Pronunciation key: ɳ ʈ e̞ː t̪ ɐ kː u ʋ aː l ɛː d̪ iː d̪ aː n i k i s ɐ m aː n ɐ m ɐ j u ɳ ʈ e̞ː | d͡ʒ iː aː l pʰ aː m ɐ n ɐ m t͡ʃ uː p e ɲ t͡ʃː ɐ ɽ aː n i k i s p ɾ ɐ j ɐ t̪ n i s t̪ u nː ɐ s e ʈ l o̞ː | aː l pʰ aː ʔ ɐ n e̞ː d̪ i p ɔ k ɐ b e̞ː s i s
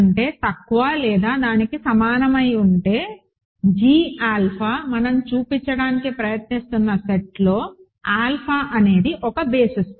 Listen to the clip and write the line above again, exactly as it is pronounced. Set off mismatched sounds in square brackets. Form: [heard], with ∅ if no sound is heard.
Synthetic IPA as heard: ɳ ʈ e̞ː t̪ ɐ kː u ʋ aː l ɛː d̪ [aː] d̪ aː n i k i s ɐ m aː n ɐ m ɐ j u ɳ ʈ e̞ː | d͡ʒ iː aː l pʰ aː m ɐ n ɐ m t͡ʃ uː p [i] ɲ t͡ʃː ɐ ɽ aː n i k i [∅] p ɾ ɐ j ɐ t̪ n i s t̪ u nː ɐ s e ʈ l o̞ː | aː l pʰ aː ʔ ɐ n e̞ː d̪ i [ʔ] ɔ k ɐ b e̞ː s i s